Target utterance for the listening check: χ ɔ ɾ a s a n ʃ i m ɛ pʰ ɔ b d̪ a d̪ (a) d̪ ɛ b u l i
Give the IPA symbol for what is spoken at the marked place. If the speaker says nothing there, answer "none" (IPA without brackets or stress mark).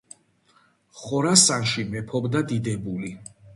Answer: i